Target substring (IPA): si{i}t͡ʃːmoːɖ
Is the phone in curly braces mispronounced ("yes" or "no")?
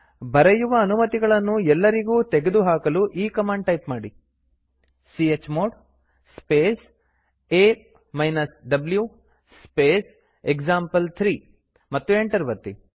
yes